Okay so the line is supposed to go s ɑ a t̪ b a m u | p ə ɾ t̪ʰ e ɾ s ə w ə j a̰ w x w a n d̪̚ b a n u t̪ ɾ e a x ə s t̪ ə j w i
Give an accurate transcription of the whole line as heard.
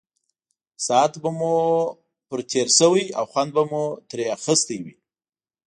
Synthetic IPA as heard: s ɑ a t̪ b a m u | p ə ɾ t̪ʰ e ɾ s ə w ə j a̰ w x w a n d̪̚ b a m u t̪ ɾ e a x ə s t̪ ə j w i